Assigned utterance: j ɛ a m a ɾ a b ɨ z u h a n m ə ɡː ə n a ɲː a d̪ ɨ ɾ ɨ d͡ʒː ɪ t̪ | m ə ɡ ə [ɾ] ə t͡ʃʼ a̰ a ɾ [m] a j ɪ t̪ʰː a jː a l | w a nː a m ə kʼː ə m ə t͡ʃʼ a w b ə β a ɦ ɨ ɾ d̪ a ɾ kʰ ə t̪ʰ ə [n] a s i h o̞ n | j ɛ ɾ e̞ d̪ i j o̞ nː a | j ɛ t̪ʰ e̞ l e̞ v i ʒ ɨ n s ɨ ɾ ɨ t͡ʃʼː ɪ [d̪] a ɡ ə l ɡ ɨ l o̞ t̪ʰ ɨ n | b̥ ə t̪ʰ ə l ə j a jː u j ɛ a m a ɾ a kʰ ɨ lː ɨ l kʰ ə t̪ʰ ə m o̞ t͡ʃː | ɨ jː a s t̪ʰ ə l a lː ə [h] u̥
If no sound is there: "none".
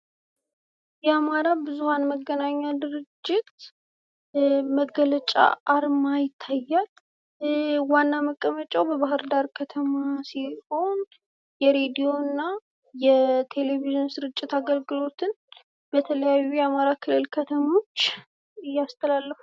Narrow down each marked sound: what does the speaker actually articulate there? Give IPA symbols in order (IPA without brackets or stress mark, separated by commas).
l, m, m, t̪, f